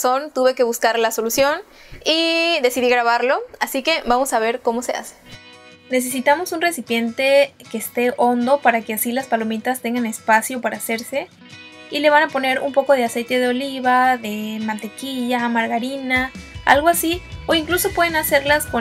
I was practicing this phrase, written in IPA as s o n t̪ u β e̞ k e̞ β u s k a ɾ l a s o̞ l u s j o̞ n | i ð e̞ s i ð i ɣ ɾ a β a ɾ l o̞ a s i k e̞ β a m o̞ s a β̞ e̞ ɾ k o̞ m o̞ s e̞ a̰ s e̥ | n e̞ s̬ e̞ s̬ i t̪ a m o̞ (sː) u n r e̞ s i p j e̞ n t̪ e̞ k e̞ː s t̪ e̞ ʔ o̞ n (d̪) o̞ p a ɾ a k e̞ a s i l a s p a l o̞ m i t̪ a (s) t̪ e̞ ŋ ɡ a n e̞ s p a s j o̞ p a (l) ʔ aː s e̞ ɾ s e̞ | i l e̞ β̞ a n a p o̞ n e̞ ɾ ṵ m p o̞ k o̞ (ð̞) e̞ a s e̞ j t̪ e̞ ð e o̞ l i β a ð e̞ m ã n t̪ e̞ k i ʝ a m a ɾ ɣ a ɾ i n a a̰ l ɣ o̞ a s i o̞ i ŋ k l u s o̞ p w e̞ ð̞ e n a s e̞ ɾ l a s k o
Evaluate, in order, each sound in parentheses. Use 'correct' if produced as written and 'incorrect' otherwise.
incorrect: s, correct, correct, incorrect: ɾ, correct

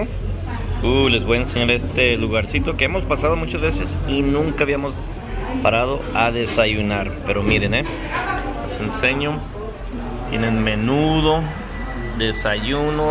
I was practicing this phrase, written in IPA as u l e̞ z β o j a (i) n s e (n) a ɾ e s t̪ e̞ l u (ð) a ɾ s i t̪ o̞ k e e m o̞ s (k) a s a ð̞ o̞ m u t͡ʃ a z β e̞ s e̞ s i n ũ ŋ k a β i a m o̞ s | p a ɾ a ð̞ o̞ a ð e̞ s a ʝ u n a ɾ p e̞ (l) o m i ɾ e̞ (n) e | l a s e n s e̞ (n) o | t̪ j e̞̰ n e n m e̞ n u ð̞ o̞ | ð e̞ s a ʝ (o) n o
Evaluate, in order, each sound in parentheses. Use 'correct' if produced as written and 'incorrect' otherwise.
incorrect: e, incorrect: ɲ, incorrect: ɣ, incorrect: p, incorrect: ɾ, correct, incorrect: ɲ, incorrect: u

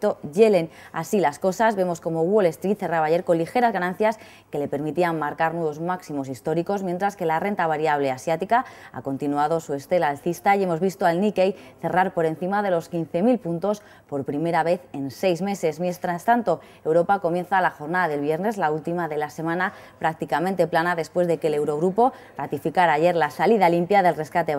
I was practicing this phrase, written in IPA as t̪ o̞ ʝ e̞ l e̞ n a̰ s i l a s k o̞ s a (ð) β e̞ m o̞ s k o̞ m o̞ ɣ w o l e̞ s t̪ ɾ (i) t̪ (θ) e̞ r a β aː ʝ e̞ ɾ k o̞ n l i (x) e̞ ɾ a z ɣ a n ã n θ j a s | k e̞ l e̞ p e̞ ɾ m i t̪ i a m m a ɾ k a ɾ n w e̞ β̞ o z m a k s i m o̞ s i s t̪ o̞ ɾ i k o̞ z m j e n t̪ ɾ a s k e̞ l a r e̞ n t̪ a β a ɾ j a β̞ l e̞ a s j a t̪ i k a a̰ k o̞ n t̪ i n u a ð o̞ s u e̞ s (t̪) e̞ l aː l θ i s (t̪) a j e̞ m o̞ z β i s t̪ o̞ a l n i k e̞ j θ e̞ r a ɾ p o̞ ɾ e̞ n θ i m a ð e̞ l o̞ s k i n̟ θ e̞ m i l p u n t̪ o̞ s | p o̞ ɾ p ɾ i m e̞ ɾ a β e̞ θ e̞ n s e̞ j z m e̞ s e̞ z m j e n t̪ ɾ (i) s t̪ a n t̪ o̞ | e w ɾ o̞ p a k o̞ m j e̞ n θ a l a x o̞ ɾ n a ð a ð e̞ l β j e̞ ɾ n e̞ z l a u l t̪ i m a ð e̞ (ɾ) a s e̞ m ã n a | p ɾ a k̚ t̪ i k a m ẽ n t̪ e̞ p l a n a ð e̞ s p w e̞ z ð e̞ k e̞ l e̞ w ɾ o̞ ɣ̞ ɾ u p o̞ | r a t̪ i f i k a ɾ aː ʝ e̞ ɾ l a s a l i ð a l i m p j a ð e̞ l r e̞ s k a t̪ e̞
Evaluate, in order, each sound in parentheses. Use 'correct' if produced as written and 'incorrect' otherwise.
incorrect: z, correct, correct, correct, correct, correct, incorrect: a, incorrect: l

